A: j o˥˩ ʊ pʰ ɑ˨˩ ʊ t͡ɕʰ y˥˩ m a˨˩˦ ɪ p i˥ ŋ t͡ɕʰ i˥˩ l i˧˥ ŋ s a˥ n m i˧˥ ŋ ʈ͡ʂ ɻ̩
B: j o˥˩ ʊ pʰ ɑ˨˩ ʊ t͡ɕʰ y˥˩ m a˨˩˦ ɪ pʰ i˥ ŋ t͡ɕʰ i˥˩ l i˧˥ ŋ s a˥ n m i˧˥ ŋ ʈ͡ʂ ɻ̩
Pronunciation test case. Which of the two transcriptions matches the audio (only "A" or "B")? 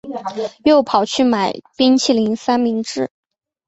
A